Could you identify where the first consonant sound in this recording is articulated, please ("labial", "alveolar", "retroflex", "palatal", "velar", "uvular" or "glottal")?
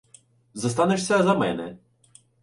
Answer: alveolar